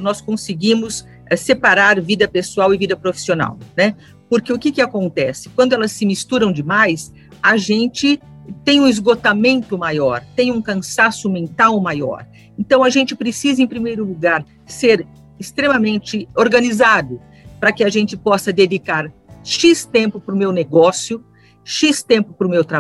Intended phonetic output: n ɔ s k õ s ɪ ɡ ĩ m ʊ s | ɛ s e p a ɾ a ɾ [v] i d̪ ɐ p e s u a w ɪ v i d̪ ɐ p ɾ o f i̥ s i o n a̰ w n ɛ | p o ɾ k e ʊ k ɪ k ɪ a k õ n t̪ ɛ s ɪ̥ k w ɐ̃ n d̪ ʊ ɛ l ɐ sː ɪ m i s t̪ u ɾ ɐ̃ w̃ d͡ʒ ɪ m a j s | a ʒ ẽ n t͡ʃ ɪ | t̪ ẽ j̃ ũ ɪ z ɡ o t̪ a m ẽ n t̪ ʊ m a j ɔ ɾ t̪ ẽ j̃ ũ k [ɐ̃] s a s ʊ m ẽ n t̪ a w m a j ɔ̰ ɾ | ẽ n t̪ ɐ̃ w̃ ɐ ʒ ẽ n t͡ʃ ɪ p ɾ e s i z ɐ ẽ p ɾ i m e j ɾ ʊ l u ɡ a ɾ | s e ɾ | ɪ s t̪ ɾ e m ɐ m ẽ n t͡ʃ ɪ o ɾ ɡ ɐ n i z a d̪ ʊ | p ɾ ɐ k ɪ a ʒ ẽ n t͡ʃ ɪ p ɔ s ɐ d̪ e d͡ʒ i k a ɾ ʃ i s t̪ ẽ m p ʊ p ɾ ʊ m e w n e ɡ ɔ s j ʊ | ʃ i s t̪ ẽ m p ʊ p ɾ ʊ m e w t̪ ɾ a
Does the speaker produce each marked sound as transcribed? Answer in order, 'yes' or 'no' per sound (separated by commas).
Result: yes, yes